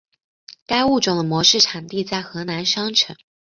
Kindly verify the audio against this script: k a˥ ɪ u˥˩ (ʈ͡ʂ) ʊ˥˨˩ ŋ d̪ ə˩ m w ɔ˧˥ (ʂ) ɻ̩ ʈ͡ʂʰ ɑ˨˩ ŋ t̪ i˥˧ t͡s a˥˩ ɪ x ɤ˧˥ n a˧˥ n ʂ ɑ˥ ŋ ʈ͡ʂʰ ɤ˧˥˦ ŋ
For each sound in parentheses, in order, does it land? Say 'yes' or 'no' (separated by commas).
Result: yes, yes